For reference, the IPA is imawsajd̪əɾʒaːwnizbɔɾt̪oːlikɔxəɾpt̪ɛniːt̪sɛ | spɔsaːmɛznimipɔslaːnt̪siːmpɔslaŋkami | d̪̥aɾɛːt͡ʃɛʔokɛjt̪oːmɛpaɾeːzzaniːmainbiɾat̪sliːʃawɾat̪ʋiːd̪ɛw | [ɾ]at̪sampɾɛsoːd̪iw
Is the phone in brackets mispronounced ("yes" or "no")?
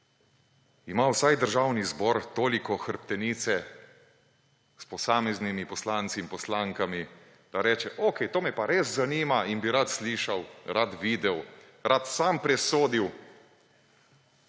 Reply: no